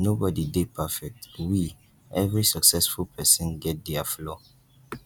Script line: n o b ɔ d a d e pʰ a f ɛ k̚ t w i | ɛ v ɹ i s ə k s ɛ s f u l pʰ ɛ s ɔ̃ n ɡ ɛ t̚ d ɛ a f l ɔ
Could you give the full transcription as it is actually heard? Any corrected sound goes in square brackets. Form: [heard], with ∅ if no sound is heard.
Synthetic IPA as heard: n o b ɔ d [i] d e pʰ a f ɛ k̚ t w i | ɛ v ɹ i s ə k s ɛ s f u l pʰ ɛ s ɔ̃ n ɡ ɛ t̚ d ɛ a f l ɔ